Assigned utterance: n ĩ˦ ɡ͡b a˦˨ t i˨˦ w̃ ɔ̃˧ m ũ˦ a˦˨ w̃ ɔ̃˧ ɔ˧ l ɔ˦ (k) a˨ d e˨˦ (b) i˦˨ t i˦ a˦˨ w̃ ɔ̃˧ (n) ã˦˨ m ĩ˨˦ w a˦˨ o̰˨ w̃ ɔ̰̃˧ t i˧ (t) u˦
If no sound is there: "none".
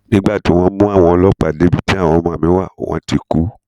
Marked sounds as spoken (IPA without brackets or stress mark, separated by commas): k͡p, b, m, k